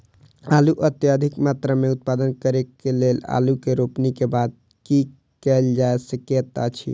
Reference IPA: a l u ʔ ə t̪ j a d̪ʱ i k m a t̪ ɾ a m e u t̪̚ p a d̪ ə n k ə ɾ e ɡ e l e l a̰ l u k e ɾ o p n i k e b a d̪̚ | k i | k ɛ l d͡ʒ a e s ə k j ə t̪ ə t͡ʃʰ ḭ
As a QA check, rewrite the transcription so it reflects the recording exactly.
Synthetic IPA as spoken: a l u ʔ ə t̪ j a d̪ʱ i k m a t̪ ɾ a m e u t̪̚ p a d̪ ə n k ə ɾ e k e l e l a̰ l u k e ɾ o p n i k e b a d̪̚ | k i | k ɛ l d͡ʒ a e s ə k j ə t̪ a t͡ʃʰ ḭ